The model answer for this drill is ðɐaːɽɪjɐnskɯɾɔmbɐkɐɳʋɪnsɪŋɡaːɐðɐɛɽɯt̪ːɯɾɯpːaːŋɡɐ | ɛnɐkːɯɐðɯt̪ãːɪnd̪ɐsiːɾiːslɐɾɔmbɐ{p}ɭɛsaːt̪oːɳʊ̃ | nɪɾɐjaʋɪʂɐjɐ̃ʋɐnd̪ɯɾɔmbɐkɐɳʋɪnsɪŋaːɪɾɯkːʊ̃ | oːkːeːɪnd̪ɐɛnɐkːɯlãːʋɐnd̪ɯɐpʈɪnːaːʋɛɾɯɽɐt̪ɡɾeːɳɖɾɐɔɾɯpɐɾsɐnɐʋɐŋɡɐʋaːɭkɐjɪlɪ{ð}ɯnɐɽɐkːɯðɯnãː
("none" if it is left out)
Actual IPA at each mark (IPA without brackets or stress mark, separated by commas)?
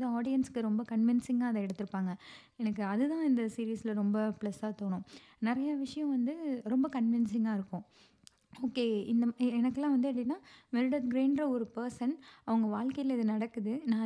p, ð